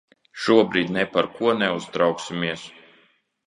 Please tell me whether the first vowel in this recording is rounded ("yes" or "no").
yes